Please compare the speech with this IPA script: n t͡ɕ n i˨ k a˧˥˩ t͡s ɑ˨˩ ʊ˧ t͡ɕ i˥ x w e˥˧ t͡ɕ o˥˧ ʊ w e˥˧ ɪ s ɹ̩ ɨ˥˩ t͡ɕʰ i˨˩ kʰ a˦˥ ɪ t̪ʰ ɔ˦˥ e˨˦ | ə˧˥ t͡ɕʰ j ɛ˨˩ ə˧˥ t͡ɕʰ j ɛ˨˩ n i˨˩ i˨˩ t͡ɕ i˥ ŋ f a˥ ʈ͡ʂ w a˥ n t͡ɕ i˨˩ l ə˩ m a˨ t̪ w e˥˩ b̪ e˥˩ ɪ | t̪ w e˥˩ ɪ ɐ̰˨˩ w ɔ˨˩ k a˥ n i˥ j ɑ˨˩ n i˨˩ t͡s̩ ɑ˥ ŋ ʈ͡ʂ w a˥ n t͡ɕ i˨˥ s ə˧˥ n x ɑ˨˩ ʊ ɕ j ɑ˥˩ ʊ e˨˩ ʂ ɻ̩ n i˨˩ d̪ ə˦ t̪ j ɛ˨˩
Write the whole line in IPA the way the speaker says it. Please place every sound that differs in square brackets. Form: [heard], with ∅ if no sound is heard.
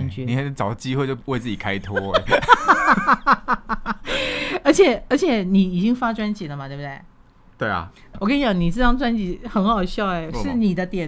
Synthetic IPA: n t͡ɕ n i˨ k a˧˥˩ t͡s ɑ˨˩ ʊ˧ t͡ɕ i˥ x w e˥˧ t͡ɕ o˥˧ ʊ w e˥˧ ɪ [t͡s] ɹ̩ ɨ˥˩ [t͡ɕ] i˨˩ kʰ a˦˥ ɪ t̪ʰ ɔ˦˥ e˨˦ | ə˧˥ t͡ɕʰ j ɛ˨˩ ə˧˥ t͡ɕʰ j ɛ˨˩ n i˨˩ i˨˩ t͡ɕ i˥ ŋ f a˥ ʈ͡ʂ w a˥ n t͡ɕ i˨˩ l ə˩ m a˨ t̪ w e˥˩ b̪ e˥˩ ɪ | t̪ w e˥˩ ɪ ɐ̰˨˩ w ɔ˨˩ k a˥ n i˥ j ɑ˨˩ n i˨˩ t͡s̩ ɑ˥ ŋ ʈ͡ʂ w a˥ n t͡ɕ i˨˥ [x] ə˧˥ n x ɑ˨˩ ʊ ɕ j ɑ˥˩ ʊ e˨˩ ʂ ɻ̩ n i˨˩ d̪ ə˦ t̪ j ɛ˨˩